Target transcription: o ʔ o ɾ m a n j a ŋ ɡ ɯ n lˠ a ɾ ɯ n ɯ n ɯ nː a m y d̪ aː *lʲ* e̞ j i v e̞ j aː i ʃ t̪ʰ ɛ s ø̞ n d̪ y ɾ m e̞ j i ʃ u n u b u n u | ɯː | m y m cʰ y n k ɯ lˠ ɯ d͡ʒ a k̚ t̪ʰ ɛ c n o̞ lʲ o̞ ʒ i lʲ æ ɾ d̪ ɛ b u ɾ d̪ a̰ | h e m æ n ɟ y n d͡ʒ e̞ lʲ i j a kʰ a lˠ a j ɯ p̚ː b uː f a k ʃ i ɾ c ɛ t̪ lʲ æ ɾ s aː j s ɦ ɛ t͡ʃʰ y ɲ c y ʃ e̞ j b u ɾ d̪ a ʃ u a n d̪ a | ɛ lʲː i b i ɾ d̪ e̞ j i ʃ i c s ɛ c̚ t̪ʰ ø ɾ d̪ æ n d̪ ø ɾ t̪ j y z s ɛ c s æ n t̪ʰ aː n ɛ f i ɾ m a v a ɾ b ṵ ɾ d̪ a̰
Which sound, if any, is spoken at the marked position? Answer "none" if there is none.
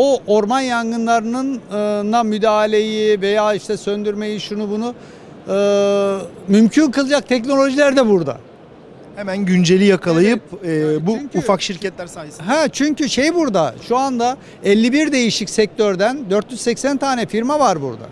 lʲ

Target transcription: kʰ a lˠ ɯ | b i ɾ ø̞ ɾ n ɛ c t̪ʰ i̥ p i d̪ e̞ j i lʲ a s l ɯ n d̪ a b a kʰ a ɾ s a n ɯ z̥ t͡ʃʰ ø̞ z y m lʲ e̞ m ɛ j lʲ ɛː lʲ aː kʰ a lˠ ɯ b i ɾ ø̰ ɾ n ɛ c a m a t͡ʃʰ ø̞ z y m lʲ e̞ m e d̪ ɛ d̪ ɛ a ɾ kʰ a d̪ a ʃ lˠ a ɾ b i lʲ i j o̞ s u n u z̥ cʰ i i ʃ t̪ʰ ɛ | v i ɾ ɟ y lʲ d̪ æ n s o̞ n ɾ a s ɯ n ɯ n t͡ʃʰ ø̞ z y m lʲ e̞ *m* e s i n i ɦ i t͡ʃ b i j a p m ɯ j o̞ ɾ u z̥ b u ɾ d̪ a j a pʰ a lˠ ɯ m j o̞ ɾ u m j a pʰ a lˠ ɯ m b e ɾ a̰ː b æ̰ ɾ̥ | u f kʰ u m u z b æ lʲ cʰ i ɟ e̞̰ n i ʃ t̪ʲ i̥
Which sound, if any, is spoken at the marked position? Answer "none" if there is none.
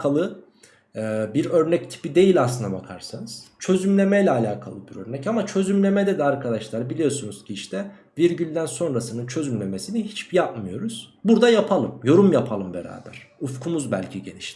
m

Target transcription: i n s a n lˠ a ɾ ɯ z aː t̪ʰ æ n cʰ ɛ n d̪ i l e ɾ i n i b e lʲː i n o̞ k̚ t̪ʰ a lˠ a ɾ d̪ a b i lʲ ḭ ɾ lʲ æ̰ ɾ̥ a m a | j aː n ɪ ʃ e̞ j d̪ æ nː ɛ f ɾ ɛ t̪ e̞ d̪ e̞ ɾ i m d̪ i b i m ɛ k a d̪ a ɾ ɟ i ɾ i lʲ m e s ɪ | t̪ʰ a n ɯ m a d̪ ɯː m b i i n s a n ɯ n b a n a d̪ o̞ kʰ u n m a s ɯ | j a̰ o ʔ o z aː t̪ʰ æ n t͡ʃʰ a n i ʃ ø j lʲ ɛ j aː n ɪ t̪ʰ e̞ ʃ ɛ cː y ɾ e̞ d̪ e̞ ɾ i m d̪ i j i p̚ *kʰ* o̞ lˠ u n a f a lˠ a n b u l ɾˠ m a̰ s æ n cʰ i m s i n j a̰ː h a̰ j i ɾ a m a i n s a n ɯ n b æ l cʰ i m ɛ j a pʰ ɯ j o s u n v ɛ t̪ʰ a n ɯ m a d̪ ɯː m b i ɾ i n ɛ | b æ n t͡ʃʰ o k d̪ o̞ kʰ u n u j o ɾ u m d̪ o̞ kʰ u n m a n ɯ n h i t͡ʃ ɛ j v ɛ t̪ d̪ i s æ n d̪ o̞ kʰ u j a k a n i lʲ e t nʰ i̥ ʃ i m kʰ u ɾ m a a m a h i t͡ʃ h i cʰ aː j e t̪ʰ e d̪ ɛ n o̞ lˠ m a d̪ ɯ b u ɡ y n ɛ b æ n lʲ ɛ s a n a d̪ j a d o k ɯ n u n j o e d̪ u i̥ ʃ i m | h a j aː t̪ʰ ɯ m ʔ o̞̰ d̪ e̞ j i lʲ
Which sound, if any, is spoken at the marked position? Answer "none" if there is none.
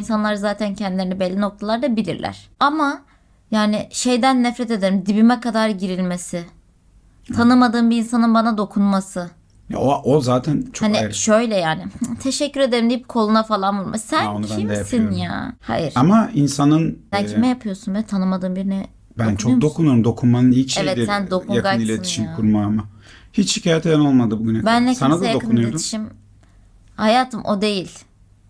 kʰ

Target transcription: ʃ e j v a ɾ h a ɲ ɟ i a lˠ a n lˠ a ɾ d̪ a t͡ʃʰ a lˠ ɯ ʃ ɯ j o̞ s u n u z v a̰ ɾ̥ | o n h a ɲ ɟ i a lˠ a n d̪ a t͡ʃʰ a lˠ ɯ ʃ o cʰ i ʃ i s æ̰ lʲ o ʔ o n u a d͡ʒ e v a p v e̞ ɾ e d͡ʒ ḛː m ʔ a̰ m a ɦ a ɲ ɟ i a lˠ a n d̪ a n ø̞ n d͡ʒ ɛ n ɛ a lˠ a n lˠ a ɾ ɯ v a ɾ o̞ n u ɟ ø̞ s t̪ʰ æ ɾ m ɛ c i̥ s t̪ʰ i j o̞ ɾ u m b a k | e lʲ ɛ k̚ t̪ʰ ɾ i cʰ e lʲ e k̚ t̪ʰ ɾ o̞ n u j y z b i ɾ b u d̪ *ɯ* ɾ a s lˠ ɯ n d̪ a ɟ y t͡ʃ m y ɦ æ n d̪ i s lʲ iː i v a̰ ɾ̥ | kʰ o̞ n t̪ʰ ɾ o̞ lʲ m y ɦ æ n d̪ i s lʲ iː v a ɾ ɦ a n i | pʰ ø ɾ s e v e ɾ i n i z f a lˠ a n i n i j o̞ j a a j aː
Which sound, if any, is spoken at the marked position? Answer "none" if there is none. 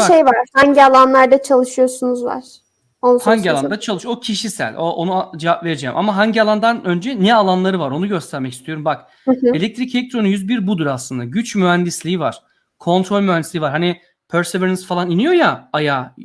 u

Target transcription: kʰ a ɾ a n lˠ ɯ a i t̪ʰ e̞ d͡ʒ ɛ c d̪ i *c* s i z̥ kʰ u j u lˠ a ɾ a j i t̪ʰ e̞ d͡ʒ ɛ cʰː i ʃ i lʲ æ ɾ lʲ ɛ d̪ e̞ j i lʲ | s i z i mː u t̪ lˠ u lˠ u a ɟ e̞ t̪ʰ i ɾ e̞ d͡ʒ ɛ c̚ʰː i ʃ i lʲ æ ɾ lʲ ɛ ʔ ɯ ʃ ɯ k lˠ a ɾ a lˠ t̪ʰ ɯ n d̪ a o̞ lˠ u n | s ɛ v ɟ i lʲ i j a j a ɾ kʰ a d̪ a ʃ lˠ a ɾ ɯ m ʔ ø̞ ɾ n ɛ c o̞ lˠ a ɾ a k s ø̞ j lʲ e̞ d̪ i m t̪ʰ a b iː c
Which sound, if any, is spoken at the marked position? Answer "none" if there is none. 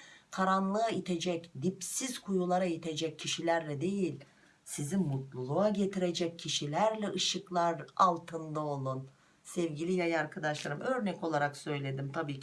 p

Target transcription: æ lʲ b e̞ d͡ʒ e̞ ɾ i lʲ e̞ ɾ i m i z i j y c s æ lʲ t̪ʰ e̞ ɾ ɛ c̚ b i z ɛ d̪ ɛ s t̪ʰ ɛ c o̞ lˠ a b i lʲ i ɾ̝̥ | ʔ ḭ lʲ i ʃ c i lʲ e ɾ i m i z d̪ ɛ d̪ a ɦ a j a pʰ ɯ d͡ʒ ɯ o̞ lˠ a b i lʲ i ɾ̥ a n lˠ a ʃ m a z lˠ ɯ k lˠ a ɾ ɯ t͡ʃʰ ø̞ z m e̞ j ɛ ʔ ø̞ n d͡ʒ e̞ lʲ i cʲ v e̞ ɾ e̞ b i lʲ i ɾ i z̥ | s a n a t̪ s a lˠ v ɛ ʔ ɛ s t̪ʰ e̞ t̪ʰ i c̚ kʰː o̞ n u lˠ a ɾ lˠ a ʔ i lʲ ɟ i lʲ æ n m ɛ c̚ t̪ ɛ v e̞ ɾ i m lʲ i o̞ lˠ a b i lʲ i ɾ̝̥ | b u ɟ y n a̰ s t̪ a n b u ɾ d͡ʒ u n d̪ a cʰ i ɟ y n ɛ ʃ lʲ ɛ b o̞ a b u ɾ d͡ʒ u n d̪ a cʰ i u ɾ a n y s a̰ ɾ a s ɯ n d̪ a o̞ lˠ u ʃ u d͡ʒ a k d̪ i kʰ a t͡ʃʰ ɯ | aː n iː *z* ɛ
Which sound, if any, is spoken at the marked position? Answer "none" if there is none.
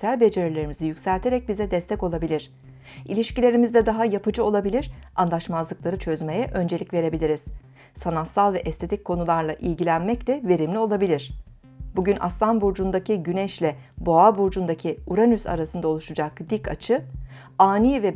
v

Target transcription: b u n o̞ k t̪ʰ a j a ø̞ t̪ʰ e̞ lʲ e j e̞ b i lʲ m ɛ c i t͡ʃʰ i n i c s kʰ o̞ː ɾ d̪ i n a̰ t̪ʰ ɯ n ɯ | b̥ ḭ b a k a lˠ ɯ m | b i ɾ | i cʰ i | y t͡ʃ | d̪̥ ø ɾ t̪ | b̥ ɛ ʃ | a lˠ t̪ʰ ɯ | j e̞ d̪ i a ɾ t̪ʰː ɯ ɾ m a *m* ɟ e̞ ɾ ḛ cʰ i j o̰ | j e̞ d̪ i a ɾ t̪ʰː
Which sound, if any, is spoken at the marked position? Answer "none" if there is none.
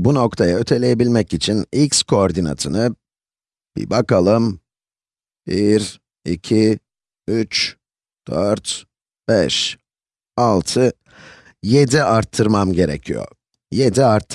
m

